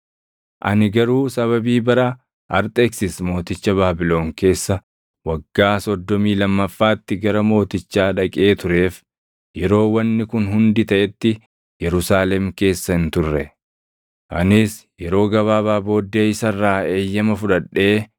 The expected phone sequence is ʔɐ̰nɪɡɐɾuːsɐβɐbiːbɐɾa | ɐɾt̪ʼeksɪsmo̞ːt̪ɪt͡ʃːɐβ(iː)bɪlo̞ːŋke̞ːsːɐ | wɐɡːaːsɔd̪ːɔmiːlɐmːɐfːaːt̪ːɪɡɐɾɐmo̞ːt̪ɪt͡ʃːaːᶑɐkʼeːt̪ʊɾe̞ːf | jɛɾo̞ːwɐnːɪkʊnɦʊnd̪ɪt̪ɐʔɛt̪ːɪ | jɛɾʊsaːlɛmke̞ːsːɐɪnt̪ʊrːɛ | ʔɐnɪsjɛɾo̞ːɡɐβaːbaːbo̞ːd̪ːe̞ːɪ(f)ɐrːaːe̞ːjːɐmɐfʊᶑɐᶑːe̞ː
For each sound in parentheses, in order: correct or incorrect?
incorrect, incorrect

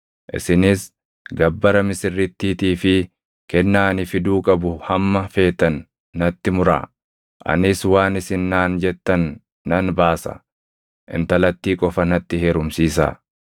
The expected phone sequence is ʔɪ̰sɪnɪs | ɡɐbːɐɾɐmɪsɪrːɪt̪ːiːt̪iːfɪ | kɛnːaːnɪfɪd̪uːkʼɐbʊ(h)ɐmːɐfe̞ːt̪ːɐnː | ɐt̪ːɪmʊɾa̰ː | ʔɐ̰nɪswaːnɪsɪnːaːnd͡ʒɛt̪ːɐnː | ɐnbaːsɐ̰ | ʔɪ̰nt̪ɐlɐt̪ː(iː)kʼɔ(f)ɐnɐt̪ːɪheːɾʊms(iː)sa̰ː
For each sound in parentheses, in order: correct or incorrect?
correct, correct, correct, correct

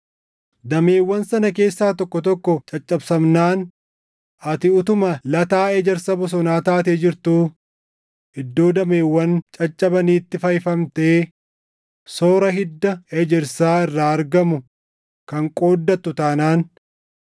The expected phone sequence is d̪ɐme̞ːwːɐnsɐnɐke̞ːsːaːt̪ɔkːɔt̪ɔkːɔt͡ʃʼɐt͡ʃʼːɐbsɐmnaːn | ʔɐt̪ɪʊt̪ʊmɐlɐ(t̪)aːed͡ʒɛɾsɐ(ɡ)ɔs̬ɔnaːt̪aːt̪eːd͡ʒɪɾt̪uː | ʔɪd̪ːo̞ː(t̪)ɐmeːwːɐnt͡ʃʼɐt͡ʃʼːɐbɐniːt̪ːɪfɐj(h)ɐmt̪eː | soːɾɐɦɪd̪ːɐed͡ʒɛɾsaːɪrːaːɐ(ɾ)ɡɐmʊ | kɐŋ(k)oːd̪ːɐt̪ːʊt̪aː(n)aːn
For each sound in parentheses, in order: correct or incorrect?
correct, incorrect, incorrect, incorrect, correct, incorrect, correct

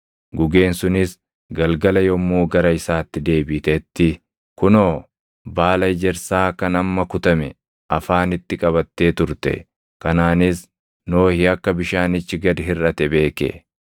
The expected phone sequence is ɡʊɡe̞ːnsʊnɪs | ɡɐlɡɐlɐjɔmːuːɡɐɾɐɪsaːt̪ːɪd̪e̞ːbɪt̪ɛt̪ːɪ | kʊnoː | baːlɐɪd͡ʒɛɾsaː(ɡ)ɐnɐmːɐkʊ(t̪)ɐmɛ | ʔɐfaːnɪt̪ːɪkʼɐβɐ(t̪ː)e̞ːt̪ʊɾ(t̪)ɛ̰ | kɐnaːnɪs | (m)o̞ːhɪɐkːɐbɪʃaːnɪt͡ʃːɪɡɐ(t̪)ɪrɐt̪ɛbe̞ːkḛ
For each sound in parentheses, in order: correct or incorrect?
incorrect, correct, correct, correct, incorrect, incorrect

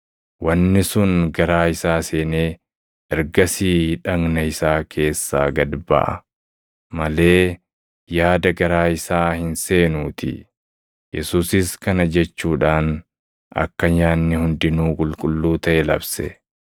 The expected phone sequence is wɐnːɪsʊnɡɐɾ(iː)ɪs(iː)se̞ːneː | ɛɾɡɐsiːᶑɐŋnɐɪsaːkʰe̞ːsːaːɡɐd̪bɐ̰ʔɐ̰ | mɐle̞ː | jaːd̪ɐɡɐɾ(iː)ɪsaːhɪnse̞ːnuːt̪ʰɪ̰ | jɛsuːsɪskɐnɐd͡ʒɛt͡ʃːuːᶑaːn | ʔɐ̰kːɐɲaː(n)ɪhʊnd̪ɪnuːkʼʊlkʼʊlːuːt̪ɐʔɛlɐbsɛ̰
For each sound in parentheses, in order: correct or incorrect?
incorrect, incorrect, incorrect, incorrect

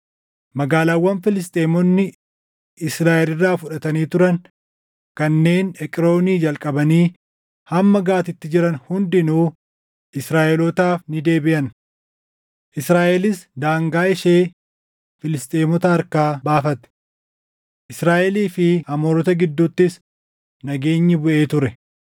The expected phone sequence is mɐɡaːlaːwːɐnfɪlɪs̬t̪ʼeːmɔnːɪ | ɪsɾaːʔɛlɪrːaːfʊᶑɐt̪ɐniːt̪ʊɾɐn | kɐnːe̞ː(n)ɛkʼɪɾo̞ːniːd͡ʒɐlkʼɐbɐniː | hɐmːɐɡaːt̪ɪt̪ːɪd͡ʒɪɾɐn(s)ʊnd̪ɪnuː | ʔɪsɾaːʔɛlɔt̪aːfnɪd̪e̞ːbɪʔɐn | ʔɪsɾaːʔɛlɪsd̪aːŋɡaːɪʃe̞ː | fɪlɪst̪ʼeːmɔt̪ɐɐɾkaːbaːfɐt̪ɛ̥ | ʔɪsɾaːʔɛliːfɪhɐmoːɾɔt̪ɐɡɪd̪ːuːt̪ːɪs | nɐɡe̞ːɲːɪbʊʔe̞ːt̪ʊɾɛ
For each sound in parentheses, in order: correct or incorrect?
correct, incorrect

